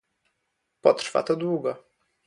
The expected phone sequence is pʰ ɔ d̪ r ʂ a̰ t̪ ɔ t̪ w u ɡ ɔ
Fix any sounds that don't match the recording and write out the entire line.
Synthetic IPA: p ɔ t̪ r f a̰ t̪ ɔ d̪ w u ɡ ɔ